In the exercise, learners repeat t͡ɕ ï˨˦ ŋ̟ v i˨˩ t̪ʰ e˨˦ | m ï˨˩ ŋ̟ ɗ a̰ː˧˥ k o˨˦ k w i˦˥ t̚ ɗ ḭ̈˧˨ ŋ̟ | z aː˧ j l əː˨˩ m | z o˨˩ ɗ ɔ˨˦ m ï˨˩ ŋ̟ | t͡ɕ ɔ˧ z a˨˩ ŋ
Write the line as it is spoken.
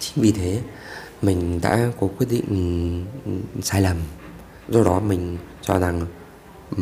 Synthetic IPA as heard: t͡ɕ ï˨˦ ŋ̟ v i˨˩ t̪ʰ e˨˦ | m ï˨˩ ŋ̟ ɗ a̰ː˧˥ k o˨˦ k w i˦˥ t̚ ɗ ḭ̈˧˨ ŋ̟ | s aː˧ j l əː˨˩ m | z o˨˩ ɗ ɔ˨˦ m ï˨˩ ŋ̟ | t͡ɕ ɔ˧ z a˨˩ ŋ